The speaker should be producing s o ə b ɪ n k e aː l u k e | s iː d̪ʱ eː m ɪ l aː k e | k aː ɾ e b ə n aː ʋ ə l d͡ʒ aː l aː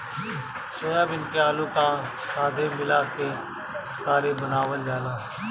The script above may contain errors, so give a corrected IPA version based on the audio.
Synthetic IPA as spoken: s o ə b ɪ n k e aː l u k a | s aː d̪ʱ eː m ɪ l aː k e | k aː ɾ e b ə n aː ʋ ə l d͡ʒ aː l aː